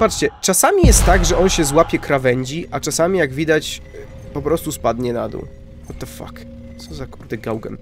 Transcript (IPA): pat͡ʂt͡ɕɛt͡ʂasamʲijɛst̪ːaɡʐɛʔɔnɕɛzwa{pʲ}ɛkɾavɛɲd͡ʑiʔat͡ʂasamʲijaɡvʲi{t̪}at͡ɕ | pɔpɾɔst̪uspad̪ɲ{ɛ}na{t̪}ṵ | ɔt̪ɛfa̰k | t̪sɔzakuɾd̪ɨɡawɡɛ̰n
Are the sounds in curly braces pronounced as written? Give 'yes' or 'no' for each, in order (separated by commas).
yes, no, yes, no